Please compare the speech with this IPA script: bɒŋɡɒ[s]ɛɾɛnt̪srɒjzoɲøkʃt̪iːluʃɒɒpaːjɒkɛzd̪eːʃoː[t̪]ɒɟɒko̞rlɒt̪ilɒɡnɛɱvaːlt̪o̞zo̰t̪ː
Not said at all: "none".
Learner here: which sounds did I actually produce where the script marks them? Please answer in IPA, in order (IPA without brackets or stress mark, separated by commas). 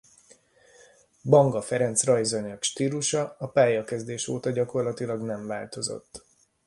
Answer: f, t̪